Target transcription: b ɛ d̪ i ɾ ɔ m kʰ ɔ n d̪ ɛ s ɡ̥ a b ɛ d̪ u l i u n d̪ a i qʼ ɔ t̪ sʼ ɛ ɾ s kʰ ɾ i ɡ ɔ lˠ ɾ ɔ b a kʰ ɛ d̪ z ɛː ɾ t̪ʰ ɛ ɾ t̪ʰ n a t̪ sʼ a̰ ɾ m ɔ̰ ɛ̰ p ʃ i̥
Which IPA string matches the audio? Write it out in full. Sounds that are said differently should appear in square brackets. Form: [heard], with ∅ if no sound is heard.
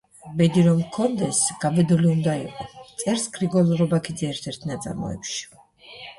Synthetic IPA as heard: b ɛ d̪ i ɾ ɔ m kʰ ɔ n d̪ ɛ s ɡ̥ a b ɛ d̪ u l i u n d̪ a i qʼ ɔ t̪ sʼ ɛ ɾ s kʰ ɾ i ɡ ɔ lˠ ɾ ɔ b a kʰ [i] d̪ z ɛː ɾ t̪ʰ ɛ ɾ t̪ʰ n a t̪ sʼ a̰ ɾ m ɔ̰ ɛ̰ p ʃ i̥